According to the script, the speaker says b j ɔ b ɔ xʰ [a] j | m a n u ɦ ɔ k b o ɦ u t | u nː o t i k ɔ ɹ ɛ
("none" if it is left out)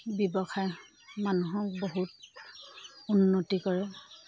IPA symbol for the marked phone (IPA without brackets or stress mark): a